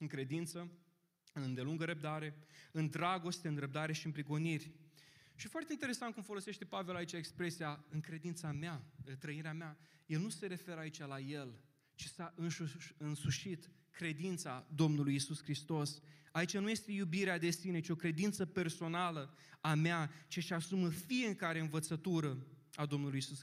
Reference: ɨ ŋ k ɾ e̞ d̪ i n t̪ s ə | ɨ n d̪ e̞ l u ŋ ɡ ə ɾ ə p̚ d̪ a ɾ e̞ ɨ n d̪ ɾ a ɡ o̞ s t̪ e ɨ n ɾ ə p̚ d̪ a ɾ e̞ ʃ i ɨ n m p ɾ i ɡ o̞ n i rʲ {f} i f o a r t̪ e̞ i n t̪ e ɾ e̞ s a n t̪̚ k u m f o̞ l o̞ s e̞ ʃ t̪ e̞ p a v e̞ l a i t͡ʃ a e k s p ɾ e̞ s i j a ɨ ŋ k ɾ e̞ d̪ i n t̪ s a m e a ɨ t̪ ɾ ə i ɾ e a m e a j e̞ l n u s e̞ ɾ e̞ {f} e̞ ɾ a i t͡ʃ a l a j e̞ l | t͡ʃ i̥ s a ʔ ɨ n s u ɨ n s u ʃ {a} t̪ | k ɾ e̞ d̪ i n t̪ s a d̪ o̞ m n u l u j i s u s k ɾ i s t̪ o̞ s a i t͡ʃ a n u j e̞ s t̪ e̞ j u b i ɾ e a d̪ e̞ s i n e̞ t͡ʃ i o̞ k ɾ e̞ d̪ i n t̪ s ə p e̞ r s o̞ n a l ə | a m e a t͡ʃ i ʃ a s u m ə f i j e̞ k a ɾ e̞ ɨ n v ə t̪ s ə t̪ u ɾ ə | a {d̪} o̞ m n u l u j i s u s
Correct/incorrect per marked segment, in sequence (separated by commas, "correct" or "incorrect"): incorrect, correct, incorrect, correct